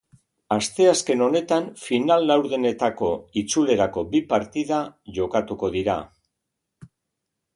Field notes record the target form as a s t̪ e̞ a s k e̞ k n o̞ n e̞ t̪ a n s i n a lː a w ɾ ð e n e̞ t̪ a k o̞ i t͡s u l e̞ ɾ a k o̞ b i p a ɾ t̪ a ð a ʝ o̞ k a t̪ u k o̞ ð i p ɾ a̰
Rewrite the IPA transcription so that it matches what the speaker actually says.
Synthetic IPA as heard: a s t̪ e̞ a s k e̞ n o̞ n e̞ t̪ a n f i n a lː a w ɾ ð e n e̞ t̪ a k o̞ i t͡s u l e̞ ɾ a k o̞ b i p a ɾ t̪ i ð a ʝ o̞ k a t̪ u k o̞ ð i ɾ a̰

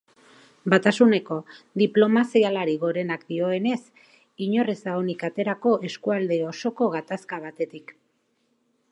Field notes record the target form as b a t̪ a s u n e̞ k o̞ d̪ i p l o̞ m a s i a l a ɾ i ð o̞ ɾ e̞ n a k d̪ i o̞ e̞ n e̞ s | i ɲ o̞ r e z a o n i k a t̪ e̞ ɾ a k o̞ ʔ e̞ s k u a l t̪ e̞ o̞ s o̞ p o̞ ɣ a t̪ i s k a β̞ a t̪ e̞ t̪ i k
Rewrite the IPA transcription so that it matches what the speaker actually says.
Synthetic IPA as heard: b a t̪ a s u n e̞ k o̞ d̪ i p l o̞ m a s i a l a ɾ i ɣ o̞ ɾ e̞ n a k d̪ i o̞ e̞ n e̞ s | i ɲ o̞ r e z a o n i k a t̪ e̞ ɾ a k o̞ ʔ e̞ s k u a l d̪ e̞ o̞ s o̞ k o̞ ɣ a t̪ a s k a β̞ a t̪ e̞ t̪ i k

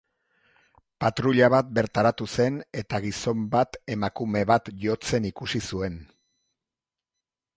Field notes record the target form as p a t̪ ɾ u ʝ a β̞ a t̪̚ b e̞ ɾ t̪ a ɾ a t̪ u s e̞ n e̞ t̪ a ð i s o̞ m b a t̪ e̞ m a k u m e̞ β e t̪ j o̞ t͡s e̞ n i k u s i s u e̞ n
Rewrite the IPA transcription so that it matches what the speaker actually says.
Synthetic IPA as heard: p a t̪ ɾ u ʎ a β̞ a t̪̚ b e̞ ɾ t̪ a ɾ a t̪ u s e̞ n e̞ t̪ a ɣ i s o̞ m b a t̪ e̞ m a k u m e̞ β a t̪ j o̞ t͡s e̞ n i k u s i s u e̞ n

